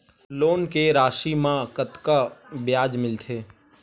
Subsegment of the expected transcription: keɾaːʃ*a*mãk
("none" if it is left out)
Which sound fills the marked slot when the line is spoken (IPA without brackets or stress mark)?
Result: i